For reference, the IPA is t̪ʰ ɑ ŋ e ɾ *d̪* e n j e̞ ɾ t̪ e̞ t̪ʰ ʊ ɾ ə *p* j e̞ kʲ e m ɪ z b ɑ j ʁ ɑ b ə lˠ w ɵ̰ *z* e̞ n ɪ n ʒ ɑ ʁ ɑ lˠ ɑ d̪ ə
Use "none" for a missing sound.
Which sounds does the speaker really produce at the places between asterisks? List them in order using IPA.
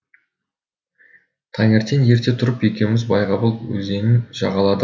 t̪, p, z

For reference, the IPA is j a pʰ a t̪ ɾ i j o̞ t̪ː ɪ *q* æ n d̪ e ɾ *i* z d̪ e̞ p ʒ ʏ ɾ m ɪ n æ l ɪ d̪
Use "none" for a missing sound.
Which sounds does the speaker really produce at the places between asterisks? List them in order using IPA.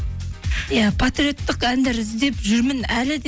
q, ɪ

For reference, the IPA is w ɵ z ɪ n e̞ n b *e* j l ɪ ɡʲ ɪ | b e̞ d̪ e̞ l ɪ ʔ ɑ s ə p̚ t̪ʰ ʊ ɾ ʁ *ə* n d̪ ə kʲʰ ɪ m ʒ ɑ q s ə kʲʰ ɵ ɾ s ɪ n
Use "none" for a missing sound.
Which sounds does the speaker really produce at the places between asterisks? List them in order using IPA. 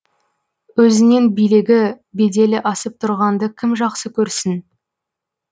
i, ɑ

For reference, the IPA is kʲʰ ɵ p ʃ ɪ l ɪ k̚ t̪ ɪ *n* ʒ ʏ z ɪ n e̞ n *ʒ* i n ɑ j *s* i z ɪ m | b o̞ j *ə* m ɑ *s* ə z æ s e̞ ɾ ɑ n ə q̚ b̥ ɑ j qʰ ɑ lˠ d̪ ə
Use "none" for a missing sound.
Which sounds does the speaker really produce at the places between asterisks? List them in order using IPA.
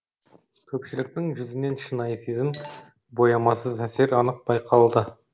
ŋ, ʃ, s, ɑ, s

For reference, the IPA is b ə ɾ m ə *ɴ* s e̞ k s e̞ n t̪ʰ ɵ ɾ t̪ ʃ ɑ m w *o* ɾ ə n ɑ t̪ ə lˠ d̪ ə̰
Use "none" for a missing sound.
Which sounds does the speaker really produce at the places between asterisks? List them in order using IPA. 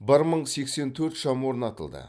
ɴ, o

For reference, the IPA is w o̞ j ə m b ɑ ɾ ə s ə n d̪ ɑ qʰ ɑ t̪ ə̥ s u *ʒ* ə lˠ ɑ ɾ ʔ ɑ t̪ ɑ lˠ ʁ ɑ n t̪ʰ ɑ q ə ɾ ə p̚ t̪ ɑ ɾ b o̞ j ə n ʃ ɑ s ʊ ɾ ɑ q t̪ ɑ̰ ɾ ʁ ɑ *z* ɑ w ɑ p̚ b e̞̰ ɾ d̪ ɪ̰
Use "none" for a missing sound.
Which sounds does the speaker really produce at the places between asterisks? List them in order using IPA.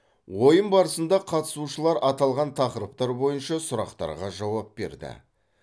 ʃ, ʒ

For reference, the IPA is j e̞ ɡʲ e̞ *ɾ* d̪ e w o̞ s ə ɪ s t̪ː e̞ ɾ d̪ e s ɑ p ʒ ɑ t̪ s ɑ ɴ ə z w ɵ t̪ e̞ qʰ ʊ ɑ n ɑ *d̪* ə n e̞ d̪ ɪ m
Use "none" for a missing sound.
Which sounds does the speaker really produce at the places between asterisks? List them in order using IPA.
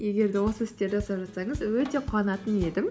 ɾ, t̪

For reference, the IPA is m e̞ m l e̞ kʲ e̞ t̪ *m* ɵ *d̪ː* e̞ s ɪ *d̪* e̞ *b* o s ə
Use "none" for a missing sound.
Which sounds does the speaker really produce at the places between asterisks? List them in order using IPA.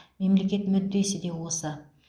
m, d̪ː, d̪, w

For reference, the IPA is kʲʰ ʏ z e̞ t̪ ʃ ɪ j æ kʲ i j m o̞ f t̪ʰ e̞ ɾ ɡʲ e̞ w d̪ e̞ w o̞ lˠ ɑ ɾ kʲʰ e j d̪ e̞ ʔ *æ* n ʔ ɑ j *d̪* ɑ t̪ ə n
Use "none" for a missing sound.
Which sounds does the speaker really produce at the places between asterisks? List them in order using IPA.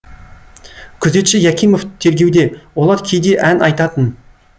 æ, t̪

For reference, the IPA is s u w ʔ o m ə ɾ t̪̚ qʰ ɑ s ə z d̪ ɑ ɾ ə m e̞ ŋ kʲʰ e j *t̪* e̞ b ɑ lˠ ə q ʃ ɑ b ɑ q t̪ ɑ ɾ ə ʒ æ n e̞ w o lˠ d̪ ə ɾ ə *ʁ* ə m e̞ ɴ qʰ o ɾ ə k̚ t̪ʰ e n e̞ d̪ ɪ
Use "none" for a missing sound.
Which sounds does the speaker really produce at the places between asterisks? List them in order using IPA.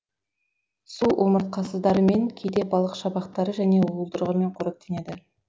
d̪, ʁ

